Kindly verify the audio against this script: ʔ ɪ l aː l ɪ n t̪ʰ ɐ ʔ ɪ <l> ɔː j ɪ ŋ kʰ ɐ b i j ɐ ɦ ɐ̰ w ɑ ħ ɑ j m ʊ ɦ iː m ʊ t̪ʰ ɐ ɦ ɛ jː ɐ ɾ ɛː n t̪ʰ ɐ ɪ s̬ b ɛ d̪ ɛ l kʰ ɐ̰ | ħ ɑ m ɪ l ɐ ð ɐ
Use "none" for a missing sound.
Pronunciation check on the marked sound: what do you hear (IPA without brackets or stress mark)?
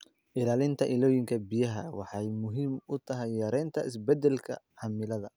l